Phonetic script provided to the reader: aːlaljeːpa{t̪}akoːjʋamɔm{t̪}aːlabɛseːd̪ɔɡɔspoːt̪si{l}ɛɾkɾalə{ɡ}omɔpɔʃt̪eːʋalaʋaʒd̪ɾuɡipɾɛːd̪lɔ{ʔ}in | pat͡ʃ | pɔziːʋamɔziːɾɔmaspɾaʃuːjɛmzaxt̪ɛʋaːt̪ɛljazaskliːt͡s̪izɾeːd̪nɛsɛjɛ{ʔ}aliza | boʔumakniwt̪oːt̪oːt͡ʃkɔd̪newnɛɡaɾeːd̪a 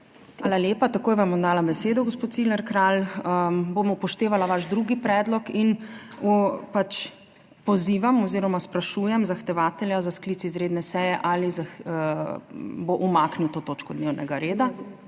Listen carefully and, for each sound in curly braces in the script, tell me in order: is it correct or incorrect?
correct, incorrect: d̪, correct, incorrect: b, incorrect: k, correct

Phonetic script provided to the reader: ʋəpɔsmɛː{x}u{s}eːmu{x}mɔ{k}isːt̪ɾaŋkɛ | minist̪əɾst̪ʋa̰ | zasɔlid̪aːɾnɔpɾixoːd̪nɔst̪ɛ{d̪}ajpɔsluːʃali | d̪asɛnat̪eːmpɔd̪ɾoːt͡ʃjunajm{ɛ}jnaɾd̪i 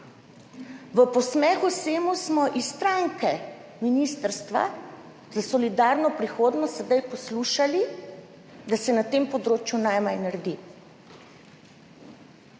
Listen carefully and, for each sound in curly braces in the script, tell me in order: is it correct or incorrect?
correct, correct, incorrect: s, incorrect: ʔ, correct, incorrect: a

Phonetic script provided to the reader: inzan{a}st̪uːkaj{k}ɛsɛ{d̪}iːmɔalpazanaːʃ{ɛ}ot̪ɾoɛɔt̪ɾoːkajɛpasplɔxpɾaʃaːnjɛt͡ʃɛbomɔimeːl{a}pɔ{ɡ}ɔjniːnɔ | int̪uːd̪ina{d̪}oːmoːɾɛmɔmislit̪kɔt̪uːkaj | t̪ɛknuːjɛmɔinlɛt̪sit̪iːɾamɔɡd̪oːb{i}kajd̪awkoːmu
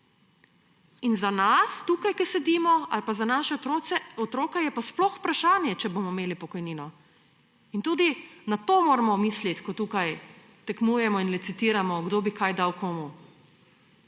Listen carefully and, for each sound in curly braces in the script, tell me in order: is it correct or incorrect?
correct, correct, correct, correct, incorrect: i, incorrect: k, incorrect: t̪, correct

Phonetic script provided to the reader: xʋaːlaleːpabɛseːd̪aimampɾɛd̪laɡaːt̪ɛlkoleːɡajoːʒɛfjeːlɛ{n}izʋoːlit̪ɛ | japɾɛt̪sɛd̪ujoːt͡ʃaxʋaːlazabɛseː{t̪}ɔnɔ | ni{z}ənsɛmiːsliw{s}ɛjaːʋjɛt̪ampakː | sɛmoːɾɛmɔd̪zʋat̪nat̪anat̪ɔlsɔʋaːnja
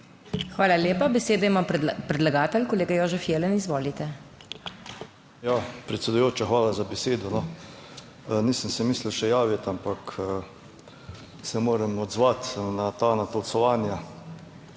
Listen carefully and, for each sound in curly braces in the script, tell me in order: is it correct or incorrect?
correct, incorrect: d̪, incorrect: s, incorrect: ʃ

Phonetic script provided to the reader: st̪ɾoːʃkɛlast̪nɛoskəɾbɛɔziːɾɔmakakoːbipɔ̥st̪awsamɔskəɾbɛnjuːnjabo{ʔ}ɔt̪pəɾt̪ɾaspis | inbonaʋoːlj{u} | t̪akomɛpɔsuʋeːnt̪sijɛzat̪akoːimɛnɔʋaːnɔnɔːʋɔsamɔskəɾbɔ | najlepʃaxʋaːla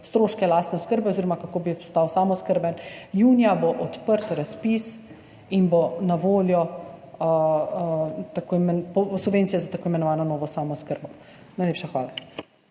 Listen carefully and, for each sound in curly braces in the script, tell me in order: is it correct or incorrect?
correct, incorrect: ɔ

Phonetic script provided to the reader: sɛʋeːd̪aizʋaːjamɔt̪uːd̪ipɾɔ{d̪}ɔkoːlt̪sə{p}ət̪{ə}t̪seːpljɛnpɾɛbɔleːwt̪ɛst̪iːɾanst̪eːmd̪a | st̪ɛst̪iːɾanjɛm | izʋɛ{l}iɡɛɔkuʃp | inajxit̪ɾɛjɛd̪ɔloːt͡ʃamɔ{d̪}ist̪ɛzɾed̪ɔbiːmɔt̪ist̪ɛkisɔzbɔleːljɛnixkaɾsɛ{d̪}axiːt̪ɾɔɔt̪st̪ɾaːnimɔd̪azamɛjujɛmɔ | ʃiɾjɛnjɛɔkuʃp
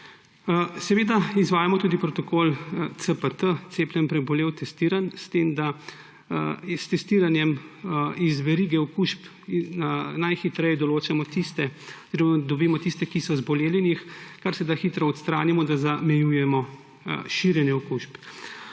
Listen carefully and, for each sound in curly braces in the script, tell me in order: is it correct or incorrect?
incorrect: t̪, correct, correct, incorrect: ɾ, incorrect: t̪, correct

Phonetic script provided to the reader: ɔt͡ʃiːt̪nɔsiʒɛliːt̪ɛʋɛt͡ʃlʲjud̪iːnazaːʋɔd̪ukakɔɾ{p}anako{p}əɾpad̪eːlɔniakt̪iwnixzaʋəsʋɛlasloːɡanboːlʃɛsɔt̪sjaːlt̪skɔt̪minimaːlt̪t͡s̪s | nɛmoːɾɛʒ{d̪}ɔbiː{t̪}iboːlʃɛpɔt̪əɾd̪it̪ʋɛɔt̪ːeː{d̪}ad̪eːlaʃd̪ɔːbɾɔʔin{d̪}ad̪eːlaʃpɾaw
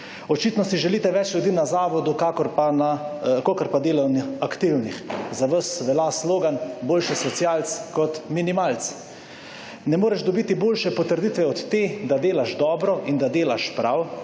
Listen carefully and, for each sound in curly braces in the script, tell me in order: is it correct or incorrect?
correct, incorrect: k, correct, correct, correct, correct

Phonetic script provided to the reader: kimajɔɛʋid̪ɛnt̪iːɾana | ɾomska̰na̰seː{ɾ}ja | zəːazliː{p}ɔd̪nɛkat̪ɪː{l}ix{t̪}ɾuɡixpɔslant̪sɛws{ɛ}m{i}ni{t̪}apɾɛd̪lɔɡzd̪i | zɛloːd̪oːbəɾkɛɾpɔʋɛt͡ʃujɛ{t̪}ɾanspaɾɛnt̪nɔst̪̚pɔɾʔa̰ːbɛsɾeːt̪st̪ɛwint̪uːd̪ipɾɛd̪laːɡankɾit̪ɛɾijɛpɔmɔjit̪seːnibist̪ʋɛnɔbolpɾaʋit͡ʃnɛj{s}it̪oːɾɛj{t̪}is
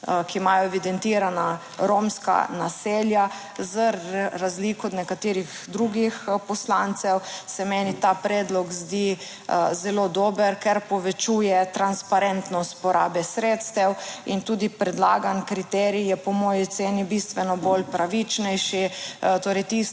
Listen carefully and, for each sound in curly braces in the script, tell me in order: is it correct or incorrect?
incorrect: l, incorrect: k, incorrect: ɾ, incorrect: d̪, correct, incorrect: ɛ, correct, correct, incorrect: ʃ, correct

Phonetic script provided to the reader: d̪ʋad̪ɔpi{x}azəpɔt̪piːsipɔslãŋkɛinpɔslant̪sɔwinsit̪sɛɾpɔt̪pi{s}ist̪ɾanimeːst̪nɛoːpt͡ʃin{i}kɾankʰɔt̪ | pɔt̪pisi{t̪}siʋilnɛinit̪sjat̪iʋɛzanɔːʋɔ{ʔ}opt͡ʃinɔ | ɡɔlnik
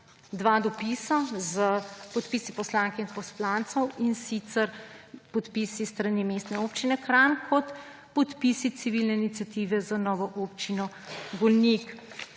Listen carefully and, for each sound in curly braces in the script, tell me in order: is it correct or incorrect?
incorrect: s, correct, incorrect: ɛ, correct, correct

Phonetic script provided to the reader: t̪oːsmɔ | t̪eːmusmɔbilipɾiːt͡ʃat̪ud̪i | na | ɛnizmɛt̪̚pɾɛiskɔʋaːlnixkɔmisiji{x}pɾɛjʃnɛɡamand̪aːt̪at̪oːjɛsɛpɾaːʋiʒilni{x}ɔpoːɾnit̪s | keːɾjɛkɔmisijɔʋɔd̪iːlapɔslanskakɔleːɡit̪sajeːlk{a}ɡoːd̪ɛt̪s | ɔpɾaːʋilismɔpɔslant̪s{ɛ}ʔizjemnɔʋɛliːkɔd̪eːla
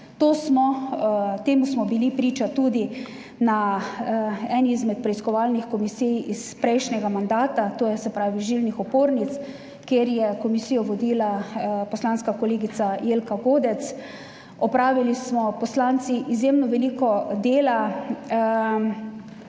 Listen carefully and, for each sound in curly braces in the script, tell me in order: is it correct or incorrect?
incorrect: s, correct, correct, incorrect: i

